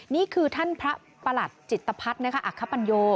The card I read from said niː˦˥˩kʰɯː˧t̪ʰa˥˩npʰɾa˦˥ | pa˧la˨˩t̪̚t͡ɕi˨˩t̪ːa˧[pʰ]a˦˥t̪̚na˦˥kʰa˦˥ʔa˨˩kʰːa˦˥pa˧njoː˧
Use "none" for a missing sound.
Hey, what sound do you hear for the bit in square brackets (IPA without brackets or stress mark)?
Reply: pʰ